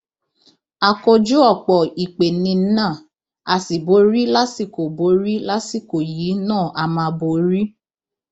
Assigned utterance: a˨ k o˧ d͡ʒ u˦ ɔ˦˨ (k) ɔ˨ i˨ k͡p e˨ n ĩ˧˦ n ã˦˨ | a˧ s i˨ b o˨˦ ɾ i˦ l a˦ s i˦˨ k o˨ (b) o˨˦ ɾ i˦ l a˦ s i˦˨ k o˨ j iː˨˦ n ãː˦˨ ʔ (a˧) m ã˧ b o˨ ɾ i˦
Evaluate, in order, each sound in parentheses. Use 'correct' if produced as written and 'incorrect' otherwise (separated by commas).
incorrect, correct, correct